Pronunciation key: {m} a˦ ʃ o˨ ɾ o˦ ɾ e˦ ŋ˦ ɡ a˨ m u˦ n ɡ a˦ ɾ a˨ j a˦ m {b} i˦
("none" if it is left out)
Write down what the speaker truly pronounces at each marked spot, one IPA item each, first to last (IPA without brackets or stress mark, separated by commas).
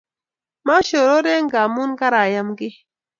m, ɡ